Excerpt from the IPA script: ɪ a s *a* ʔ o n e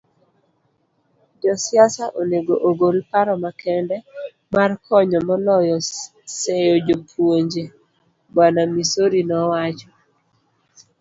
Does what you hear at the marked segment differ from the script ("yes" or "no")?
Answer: no